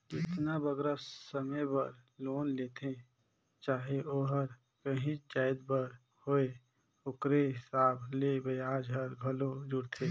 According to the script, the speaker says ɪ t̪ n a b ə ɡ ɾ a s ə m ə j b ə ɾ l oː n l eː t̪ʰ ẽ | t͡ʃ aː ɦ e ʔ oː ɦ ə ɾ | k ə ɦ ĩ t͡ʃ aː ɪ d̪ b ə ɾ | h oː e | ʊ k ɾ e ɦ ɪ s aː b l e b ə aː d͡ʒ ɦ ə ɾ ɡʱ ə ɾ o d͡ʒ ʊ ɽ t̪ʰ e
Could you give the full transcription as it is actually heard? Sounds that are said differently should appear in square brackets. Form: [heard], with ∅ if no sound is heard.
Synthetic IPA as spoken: ɪ t̪ n a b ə ɡ ɾ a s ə m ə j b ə ɾ l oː n l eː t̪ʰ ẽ | t͡ʃ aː ɦ e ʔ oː ɦ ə ɾ | k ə ɦ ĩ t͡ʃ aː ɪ d̪ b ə ɾ | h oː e | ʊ k ɾ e ɦ ɪ s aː b l e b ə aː d͡ʒ ɦ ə ɾ ɡʱ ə [l] o d͡ʒ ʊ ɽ t̪ʰ e

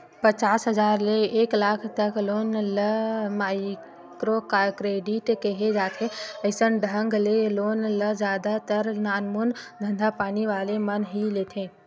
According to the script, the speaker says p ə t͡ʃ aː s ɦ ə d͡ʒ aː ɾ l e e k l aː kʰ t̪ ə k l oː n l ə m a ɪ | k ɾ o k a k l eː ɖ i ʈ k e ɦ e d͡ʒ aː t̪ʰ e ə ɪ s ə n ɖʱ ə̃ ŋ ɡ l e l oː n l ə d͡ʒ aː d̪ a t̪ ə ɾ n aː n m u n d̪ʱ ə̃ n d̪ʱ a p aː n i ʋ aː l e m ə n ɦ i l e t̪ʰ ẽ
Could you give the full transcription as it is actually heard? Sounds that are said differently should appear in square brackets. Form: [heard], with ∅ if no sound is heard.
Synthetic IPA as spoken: p ə t͡ʃ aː s ɦ ə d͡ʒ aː ɾ l e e k l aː kʰ t̪ ə k l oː n l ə m a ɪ | k ɾ o k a k [ɾ] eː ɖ i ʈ k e ɦ e d͡ʒ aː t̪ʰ e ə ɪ s ə n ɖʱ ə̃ ŋ ɡ l e l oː n l ə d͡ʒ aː d̪ a t̪ ə ɾ n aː n m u n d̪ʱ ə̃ n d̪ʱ a p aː n i ʋ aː l e m ə n ɦ i l e t̪ʰ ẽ

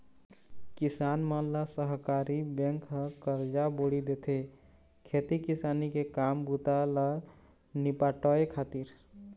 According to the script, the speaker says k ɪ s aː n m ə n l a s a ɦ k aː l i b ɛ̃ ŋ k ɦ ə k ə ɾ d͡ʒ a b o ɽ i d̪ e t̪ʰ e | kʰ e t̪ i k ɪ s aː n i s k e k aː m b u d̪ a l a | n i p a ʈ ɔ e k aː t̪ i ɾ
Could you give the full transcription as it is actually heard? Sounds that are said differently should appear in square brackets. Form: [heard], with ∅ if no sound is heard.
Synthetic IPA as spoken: k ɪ s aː n m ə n l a s [ə] ɦ k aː [ɾ] i b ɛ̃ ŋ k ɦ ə k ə ɾ d͡ʒ a b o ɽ i d̪ e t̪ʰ e | kʰ e t̪ i k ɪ s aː n i [∅] k e k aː m b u [t̪] a l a | n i p a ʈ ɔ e [kʰ] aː t̪ i ɾ

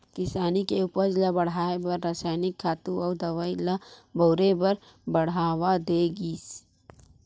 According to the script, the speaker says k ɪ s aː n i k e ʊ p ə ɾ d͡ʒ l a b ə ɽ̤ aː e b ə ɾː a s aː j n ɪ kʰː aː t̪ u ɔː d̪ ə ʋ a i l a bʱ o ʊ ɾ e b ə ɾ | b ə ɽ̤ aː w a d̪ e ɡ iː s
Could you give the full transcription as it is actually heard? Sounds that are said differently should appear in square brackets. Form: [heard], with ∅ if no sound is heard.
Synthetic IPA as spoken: k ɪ s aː n i k e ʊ p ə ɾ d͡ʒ l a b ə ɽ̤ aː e b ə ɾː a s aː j n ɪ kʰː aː t̪ u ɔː d̪ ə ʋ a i l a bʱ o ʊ ɾ e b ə ɾ | b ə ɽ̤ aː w a d̪ e ɡ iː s

